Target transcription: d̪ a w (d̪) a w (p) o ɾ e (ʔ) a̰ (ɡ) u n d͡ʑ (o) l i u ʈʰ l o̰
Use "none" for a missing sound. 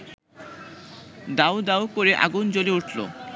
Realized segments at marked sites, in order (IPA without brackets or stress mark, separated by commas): d̪, k, ʔ, ɡ, o